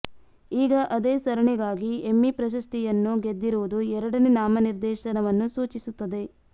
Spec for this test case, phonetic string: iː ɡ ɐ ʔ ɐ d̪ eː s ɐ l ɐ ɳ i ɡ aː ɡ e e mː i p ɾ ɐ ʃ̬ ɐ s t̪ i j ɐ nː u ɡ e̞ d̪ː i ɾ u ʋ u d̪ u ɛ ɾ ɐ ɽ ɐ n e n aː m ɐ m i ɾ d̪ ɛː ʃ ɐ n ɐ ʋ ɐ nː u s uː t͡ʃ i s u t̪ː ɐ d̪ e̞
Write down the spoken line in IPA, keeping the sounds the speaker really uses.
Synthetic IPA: iː ɡ ɐ ʔ ɐ d̪ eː s ɐ ɾ ɐ ɳ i ɡ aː ɡ i e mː i p ɾ ɐ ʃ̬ ɐ s t̪ i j ɐ nː u ɡ e̞ d̪ː i ɾ u ʋ u d̪ u ɛ ɾ ɐ ɽ ɐ n e n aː m ɐ n i ɾ d̪ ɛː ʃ ɐ n ɐ ʋ ɐ nː u s uː t͡ʃ i s u t̪ː ɐ d̪ e̞